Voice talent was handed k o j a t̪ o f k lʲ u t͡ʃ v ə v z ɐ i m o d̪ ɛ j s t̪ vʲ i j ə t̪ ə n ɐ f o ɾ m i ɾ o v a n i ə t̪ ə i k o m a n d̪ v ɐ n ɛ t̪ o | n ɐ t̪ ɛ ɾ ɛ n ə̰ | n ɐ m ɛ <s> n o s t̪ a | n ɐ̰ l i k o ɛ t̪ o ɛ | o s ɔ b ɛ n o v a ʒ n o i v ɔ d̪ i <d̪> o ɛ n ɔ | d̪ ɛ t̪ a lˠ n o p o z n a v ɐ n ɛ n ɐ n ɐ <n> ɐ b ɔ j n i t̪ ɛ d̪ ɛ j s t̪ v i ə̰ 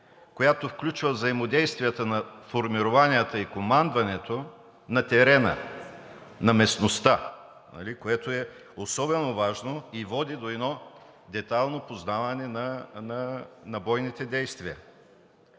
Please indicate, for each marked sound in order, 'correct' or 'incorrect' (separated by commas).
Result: correct, correct, correct